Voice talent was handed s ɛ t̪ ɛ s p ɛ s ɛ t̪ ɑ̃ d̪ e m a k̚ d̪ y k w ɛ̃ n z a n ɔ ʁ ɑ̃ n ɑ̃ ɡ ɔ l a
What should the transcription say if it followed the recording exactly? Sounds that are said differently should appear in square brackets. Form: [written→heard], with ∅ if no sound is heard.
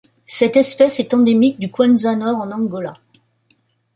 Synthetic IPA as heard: s ɛ t̪ ɛ s p ɛ s ɛ t̪ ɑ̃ d̪ e m [a→i] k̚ d̪ y k w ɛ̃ n z a n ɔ ʁ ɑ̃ n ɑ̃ ɡ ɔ l a